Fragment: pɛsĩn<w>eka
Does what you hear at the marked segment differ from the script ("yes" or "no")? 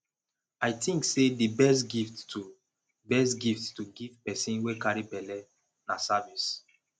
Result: no